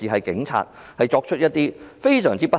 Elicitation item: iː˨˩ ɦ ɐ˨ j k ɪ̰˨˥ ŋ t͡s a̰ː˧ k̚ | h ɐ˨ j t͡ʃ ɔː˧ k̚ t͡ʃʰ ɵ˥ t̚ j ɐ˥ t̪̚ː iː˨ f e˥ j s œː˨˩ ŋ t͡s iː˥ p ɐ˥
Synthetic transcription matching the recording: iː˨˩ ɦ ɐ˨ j k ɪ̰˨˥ ŋ t͡sʰ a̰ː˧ t̚ | h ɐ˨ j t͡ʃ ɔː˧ k̚ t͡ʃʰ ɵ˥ t̚ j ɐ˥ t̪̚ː iː˥ f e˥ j s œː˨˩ ŋ t͡s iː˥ p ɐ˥